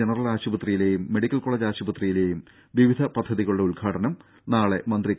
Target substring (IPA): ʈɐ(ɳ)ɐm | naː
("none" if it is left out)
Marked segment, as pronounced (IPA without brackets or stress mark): n